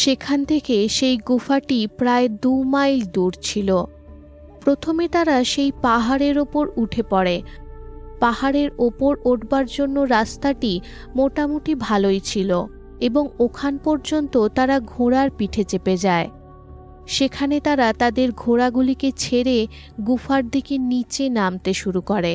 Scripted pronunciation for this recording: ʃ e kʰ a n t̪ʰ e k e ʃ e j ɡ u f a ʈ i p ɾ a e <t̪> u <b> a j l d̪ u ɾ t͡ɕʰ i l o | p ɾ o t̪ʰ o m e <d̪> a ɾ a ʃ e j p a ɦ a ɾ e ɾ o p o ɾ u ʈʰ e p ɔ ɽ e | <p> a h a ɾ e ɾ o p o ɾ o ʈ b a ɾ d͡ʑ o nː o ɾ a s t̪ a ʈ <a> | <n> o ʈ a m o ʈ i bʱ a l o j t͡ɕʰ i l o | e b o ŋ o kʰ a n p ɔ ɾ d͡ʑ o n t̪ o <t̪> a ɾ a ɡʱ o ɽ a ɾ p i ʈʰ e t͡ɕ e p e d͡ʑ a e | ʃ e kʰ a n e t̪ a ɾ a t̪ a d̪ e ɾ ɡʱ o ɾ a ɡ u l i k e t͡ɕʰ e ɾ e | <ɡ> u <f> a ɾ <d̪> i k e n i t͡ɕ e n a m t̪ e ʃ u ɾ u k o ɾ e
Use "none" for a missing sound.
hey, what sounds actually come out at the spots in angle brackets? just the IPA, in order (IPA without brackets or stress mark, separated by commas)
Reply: d̪, m, t̪, p, i, m, t̪, ɡ, f, d̪